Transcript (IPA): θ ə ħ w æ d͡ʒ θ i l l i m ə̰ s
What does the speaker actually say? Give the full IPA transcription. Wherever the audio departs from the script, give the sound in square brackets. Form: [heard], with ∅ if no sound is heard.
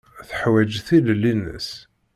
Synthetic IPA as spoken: θ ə ħ w æ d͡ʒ θ i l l i [n] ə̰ s